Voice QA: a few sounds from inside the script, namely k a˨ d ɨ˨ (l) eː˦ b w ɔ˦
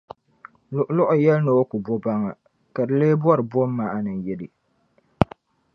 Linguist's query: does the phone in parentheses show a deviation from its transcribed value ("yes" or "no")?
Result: no